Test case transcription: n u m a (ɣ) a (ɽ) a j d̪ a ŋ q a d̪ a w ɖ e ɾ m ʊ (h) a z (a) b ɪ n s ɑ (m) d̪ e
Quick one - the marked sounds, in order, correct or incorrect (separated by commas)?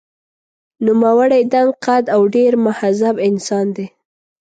incorrect, correct, correct, correct, incorrect